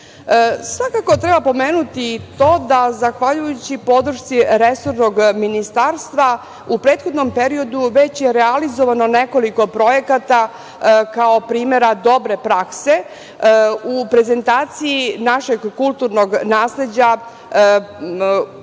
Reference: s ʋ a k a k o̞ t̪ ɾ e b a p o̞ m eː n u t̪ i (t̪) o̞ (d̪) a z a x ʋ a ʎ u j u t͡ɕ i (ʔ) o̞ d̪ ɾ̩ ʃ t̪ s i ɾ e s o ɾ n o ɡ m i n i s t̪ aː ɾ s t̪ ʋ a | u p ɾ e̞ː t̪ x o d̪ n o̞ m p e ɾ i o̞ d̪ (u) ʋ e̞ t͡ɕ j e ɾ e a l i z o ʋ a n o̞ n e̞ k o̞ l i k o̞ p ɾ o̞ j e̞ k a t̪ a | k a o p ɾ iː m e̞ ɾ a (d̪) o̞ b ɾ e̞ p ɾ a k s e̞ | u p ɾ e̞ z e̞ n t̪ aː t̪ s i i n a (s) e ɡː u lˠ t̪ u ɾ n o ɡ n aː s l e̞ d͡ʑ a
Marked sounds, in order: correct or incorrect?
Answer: correct, correct, incorrect: p, correct, correct, incorrect: ʃ

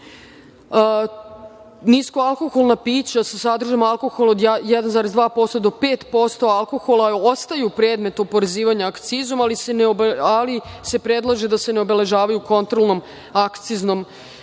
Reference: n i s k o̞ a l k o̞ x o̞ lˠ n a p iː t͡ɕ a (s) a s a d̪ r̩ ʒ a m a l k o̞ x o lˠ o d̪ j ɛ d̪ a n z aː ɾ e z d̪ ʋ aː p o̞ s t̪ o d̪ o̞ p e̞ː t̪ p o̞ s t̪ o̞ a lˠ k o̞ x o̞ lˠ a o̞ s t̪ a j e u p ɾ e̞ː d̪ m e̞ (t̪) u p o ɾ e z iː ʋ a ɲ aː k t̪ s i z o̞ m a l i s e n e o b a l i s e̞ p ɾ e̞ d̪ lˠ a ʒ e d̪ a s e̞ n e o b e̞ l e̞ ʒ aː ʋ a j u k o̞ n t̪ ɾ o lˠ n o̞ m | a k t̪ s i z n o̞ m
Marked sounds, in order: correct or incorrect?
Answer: correct, correct

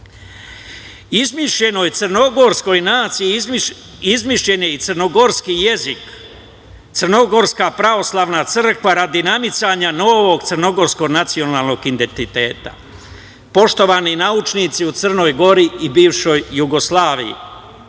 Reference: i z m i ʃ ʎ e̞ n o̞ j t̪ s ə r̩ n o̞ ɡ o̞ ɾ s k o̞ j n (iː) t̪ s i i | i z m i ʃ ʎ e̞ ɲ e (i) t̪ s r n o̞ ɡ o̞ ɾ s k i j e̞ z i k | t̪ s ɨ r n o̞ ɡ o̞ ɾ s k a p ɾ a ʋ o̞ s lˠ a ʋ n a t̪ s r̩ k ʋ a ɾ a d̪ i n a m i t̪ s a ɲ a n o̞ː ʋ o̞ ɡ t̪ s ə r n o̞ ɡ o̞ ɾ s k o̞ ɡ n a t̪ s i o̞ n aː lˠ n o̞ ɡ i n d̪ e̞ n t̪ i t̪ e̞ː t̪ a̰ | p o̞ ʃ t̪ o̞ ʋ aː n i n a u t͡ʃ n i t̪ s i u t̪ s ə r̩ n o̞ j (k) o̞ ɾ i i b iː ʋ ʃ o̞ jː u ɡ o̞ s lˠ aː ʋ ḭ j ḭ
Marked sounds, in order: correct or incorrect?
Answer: incorrect: aː, correct, incorrect: ɡ

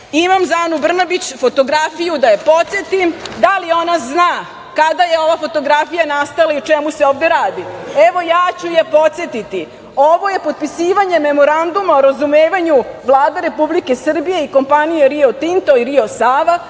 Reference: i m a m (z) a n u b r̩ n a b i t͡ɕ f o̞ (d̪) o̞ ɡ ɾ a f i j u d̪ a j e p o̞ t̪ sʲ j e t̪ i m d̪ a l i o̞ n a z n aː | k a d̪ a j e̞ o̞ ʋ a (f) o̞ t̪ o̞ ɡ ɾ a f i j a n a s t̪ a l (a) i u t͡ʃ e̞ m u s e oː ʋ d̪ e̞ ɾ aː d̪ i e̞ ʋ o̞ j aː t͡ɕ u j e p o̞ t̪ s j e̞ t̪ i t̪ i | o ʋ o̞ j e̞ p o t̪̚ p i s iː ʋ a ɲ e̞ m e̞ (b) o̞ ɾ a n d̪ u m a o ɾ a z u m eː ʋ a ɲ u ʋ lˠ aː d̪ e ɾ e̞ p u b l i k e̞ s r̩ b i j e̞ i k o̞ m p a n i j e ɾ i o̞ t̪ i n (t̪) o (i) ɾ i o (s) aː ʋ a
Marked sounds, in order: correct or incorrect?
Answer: correct, incorrect: t̪, correct, correct, incorrect: m, correct, correct, correct

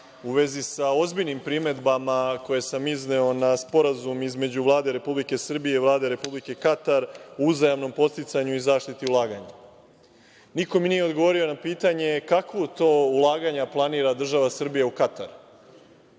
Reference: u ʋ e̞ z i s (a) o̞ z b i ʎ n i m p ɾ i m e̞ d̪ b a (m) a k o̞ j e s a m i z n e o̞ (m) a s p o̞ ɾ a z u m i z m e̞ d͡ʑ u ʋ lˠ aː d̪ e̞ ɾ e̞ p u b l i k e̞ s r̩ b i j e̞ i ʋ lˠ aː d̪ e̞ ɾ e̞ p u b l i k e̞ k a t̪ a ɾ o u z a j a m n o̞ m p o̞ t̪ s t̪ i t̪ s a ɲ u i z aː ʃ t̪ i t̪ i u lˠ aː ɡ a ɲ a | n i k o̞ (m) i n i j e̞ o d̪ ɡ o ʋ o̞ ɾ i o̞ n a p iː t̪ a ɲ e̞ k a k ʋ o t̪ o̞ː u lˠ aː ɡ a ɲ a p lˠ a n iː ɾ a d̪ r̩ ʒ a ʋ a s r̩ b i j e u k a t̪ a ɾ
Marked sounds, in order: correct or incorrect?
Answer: correct, correct, incorrect: n, correct

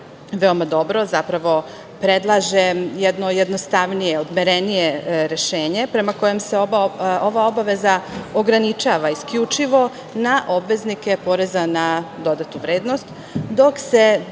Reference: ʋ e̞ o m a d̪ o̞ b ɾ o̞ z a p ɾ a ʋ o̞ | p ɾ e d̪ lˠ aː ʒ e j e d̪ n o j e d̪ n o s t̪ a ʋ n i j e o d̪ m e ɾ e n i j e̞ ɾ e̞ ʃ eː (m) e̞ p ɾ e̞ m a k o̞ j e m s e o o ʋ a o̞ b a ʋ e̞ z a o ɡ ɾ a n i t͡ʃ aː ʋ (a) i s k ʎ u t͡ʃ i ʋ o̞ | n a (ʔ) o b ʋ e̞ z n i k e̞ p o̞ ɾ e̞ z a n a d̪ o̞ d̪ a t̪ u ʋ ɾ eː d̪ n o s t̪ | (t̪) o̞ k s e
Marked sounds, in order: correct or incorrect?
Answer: incorrect: ɲ, correct, correct, incorrect: d̪

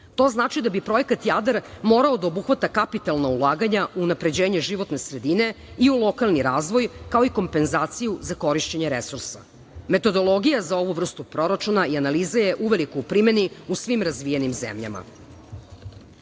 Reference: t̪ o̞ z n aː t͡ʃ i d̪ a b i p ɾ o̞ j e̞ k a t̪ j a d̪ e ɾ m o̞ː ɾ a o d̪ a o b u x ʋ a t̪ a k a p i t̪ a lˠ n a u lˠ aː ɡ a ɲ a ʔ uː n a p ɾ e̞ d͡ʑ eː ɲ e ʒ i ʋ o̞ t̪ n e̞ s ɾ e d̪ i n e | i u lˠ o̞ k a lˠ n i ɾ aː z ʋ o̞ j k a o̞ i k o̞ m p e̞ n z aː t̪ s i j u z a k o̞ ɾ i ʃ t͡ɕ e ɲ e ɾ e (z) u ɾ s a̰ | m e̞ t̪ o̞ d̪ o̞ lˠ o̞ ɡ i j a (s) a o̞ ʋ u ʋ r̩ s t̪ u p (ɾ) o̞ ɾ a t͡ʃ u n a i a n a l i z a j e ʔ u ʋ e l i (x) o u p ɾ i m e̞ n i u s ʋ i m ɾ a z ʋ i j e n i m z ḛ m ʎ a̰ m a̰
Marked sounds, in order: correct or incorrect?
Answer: incorrect: s, incorrect: z, correct, incorrect: k

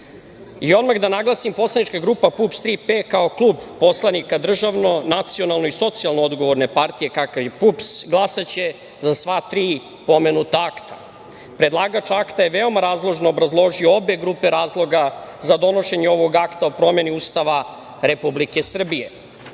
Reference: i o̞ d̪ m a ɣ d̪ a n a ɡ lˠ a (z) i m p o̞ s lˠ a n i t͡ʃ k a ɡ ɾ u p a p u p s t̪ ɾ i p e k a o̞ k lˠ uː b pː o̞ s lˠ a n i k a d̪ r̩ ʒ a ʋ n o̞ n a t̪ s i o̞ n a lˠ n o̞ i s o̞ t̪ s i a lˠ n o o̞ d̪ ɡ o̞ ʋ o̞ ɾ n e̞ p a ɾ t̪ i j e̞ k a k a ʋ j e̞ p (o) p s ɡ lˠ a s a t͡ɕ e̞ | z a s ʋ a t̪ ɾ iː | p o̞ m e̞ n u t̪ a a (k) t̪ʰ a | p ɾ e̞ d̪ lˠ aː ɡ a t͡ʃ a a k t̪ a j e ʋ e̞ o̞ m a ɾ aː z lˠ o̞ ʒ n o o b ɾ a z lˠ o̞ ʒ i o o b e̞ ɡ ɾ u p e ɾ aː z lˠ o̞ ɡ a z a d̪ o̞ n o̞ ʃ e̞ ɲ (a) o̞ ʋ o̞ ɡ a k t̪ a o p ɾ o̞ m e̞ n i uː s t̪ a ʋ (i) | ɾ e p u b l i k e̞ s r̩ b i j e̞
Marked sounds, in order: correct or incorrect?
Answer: incorrect: s, incorrect: u, correct, incorrect: e, incorrect: a

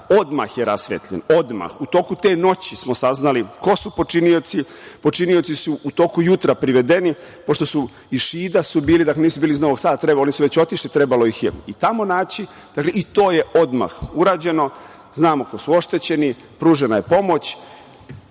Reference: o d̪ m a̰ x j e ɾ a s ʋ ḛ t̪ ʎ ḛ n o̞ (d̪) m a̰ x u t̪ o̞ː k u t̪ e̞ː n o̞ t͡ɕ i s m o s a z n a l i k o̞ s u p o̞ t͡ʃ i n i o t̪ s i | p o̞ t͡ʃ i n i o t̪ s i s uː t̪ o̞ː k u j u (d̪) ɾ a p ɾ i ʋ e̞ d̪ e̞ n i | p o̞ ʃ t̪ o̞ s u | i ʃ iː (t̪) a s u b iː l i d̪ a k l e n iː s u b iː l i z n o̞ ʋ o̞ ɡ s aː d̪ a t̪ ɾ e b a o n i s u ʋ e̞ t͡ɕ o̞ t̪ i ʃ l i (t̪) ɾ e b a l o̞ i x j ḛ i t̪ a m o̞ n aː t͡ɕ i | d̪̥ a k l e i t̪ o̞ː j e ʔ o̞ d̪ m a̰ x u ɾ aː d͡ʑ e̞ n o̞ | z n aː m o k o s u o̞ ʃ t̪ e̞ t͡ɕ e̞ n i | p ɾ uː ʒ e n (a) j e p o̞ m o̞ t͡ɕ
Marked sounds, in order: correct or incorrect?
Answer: correct, incorrect: t̪, incorrect: d̪, correct, correct

